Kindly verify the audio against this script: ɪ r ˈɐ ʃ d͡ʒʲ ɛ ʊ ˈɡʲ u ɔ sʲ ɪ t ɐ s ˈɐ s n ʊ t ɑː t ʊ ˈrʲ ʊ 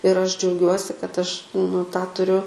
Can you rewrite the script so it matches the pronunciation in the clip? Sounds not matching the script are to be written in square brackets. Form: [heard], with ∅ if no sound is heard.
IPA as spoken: ɪ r ˈɐ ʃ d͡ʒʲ ɛ ʊ ˈɡʲ u ɔ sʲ ɪ [k] ɐ [t] ˈɐ [ʃ] n ʊ t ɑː t ʊ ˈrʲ ʊ